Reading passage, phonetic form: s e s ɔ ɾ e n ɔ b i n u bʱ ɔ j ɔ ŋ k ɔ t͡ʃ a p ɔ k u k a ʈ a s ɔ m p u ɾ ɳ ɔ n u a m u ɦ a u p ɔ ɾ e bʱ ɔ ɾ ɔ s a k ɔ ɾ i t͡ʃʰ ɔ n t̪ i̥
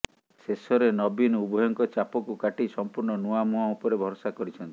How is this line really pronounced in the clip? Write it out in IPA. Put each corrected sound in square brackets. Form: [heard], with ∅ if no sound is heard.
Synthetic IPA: s e s ɔ ɾ e n ɔ b i n u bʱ ɔ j ɔ ŋ k ɔ t͡ʃ a p ɔ k u k a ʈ [i] s ɔ m p u ɾ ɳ ɔ n u a m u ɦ a u p ɔ ɾ e bʱ ɔ ɾ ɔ s a k ɔ ɾ i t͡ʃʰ ɔ n t̪ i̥

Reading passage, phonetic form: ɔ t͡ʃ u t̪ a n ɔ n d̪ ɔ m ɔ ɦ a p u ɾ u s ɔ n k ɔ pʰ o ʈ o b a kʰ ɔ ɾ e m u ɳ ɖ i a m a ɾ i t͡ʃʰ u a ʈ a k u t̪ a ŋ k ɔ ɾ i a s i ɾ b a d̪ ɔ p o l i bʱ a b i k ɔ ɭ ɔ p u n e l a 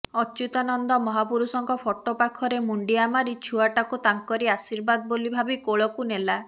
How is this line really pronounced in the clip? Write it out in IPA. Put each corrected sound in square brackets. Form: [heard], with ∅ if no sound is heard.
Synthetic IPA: ɔ t͡ʃ u t̪ a n ɔ n d̪ ɔ m ɔ ɦ a p u ɾ u s ɔ [ŋ] k ɔ pʰ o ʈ o [p] a kʰ ɔ ɾ e m u ɳ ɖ i a m a ɾ i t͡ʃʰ u a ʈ a k u t̪ a ŋ k ɔ ɾ i a s i ɾ b a d̪ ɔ [b] o l i bʱ a b i k [o] ɭ ɔ [k] u n e l a

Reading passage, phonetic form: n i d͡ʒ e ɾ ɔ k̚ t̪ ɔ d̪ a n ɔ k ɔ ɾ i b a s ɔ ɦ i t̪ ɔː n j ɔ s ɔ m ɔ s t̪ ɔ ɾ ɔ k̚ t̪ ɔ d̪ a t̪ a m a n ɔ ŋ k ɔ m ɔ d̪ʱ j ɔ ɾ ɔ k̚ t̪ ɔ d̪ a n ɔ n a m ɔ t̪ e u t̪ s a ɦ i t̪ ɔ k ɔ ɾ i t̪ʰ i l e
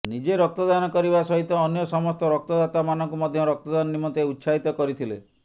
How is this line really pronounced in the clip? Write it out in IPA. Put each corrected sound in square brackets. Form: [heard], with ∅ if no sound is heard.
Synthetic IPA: n i d͡ʒ e ɾ ɔ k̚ t̪ ɔ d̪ a n ɔ k ɔ ɾ i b a s ɔ ɦ i t̪ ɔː n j ɔ s ɔ m ɔ s t̪ ɔ ɾ ɔ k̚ t̪ ɔ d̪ a t̪ a m a n ɔ ŋ k [u] m ɔ d̪ʱ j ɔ ɾ ɔ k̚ t̪ ɔ d̪ a n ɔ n [i] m ɔ t̪ e u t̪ s a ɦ i t̪ ɔ k ɔ ɾ i t̪ʰ i l e

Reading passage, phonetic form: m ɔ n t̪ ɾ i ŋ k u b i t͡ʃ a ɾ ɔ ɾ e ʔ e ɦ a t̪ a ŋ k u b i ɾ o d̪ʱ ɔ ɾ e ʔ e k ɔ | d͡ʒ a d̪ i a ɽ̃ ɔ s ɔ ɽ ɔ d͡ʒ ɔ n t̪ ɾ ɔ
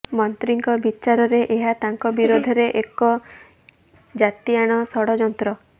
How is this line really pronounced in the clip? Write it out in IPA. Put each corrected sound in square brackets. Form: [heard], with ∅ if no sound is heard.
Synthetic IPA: m ɔ n t̪ ɾ i ŋ k [ɔ] b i t͡ʃ a ɾ ɔ ɾ e ʔ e ɦ a t̪ a ŋ k [ɔ] b i ɾ o d̪ʱ ɔ ɾ e ʔ e k ɔ | d͡ʒ a [t̪] i a ɽ̃ ɔ s ɔ ɽ ɔ d͡ʒ ɔ n t̪ ɾ ɔ

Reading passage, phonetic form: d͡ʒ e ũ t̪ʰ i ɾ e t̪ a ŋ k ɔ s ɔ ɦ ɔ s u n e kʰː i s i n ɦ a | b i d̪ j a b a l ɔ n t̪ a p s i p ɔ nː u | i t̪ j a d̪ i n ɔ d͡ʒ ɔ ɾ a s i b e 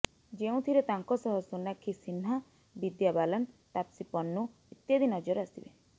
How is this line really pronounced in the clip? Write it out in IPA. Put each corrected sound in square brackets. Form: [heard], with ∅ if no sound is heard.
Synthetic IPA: d͡ʒ e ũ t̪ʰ i ɾ e t̪ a ŋ k ɔ s ɔ ɦ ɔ s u n [a] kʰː i s i n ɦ a | b i d̪ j a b a l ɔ n t̪ a p s i p ɔ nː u | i t̪ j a d̪ i n ɔ d͡ʒ ɔ ɾ a s i b e

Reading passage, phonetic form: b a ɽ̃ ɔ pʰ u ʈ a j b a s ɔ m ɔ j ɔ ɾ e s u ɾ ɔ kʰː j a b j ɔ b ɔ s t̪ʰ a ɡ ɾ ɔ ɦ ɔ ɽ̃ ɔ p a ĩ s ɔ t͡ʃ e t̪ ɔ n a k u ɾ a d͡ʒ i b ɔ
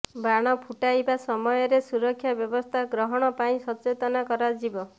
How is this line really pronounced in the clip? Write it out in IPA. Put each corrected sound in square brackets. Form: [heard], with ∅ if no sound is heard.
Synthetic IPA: b a ɽ̃ ɔ pʰ u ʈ a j b a s ɔ m ɔ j ɔ ɾ e s u ɾ ɔ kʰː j a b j ɔ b ɔ s t̪ʰ a ɡ ɾ ɔ ɦ ɔ ɽ̃ ɔ p a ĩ s ɔ t͡ʃ e t̪ ɔ n a k [ɔ] ɾ a d͡ʒ i b ɔ

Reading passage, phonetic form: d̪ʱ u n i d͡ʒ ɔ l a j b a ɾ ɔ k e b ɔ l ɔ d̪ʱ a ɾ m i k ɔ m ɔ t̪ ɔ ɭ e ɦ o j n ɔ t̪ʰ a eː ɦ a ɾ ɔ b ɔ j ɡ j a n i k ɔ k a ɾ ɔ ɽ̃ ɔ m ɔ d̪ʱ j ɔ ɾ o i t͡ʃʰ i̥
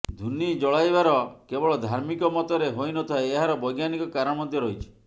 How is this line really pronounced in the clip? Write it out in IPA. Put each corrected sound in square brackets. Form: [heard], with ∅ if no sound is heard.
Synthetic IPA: d̪ʱ u n i d͡ʒ ɔ [ɭ] a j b a ɾ ɔ k e b ɔ [ɭ] ɔ d̪ʱ a ɾ m i k ɔ m ɔ t̪ ɔ [ɾ] e ɦ o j n ɔ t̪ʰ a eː ɦ a ɾ ɔ b ɔ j ɡ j a n i k ɔ k a ɾ ɔ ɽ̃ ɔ m ɔ d̪ʱ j ɔ ɾ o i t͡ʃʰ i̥

